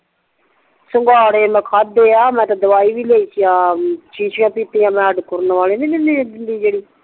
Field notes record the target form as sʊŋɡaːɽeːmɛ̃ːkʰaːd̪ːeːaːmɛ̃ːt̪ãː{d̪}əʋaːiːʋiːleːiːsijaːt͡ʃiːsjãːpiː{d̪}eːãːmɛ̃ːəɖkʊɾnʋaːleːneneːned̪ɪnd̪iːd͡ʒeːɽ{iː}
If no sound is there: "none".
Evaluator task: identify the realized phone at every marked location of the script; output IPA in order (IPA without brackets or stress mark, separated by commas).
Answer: d̪, t̪, iː